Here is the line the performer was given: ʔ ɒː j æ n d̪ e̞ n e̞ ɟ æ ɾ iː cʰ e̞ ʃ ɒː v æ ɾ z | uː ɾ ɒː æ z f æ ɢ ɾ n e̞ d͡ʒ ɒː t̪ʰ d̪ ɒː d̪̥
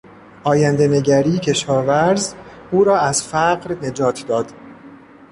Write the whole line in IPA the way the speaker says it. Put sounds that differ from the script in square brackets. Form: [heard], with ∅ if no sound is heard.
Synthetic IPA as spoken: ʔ ɒː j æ n d̪ e̞ n e̞ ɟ æ ɾ iː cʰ e̞ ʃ ɒː v æ ɾ z | uː ɾ ɒː æ z f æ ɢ ɾ n e̞ d͡ʒ ɒː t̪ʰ d̪ ɒː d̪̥